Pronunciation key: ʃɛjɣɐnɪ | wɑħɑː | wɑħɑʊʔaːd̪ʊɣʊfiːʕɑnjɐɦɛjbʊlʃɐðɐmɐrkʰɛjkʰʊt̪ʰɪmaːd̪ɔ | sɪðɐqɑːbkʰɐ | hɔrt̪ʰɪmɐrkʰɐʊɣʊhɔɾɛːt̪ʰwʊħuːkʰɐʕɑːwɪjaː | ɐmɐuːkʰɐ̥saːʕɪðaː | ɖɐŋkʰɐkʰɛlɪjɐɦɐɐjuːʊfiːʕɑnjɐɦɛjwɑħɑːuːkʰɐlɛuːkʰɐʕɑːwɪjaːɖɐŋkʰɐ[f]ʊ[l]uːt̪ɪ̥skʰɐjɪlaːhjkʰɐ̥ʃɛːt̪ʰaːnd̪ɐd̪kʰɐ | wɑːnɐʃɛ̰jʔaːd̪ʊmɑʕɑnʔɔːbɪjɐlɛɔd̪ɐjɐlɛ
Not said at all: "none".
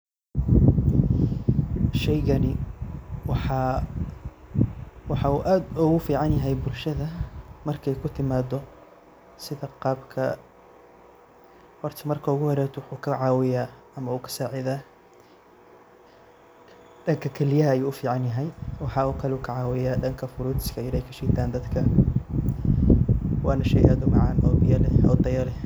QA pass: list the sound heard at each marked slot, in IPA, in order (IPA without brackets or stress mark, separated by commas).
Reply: f, ɾ